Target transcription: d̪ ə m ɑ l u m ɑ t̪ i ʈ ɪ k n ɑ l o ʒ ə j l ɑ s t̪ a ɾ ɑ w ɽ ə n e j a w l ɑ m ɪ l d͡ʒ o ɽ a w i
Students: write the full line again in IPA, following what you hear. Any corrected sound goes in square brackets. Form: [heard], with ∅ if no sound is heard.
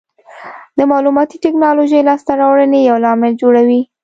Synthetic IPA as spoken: d̪ ə m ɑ l u m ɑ t̪ i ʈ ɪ k n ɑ l o ʒ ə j l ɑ s t̪ a ɾ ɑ w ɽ ə n e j a w l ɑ m ɪ l d͡ʒ o ɽ a w i